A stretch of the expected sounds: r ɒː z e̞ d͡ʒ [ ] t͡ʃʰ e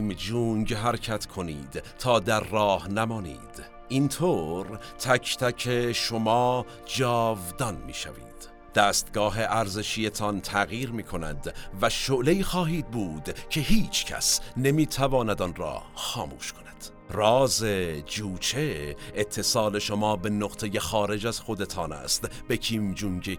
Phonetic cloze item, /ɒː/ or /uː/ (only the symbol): uː